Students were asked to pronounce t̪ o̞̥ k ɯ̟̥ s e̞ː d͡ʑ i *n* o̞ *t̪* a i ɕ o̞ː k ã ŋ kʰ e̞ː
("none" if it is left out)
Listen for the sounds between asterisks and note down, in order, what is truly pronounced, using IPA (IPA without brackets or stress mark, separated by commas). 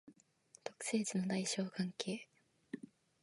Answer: n, d̪